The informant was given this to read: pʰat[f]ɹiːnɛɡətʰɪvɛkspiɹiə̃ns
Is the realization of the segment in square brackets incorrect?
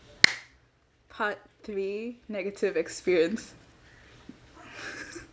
yes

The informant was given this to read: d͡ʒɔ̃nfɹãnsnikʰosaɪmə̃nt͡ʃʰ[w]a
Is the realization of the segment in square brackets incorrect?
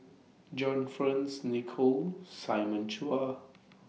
yes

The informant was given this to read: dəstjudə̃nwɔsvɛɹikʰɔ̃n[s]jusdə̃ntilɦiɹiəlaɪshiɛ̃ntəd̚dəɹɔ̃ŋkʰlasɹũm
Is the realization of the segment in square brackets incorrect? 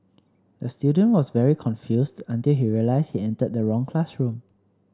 yes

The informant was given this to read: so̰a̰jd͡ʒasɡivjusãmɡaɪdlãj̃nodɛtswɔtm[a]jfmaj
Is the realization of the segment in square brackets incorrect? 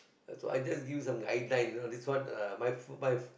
no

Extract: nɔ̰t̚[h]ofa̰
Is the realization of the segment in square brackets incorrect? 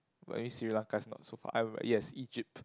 yes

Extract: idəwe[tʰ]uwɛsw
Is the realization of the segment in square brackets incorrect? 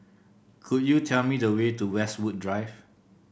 yes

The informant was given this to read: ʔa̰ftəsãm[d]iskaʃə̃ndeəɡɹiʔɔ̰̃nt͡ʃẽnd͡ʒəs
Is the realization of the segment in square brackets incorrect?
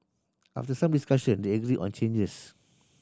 no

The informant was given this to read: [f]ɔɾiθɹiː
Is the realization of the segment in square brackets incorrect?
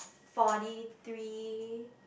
no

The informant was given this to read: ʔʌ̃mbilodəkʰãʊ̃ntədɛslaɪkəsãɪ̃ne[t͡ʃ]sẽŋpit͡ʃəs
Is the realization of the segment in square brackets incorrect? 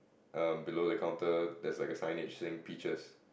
no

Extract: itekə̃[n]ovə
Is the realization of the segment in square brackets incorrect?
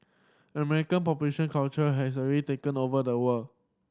no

